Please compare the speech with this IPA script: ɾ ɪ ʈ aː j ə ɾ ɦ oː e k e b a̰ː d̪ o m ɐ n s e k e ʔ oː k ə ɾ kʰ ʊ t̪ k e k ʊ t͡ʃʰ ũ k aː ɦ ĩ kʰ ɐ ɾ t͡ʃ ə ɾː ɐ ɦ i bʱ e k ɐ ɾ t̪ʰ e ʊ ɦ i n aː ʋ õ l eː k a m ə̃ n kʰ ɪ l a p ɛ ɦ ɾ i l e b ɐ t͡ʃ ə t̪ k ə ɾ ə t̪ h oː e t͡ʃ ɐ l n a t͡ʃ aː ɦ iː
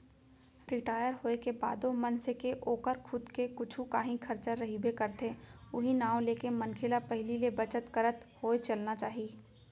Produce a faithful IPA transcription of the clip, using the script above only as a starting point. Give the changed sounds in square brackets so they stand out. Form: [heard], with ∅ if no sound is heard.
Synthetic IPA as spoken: ɾ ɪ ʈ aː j ə ɾ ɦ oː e k e b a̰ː d̪ o m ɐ n s e k e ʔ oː k ə ɾ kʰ ʊ [d̪] k e k ʊ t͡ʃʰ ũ k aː ɦ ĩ kʰ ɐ ɾ t͡ʃ ə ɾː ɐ ɦ i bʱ e k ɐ ɾ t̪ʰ e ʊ ɦ i n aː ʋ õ l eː k [e] m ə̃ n kʰ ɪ l a p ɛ ɦ [l] i l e b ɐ t͡ʃ ə t̪ k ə ɾ ə t̪ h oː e t͡ʃ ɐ l n a t͡ʃ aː ɦ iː